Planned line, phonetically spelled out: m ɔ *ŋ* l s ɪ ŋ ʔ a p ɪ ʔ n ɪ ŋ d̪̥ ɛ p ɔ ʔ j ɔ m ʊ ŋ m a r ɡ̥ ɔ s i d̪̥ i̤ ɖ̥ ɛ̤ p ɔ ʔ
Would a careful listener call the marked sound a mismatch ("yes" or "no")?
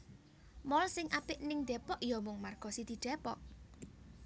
yes